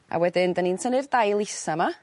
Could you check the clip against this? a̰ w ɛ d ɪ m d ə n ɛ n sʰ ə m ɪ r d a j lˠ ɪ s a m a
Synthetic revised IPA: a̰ w ɛ d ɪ n d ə n i n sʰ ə n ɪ r d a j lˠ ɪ s a m a